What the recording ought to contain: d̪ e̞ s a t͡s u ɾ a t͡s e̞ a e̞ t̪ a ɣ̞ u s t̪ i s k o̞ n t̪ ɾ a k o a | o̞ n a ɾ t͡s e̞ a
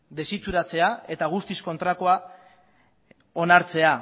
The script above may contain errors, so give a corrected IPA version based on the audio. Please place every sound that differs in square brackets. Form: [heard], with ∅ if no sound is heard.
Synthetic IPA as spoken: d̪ e̞ s [i] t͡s u ɾ a t͡s e̞ a e̞ t̪ a ɣ̞ u s t̪ i s k o̞ n t̪ ɾ a k o a | o̞ n a ɾ t͡s e̞ a